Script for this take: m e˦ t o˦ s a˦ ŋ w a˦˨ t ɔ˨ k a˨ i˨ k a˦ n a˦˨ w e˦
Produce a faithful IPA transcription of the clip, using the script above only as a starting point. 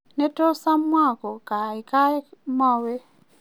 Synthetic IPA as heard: n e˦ t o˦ s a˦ m w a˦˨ k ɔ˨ k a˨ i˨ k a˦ m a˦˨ w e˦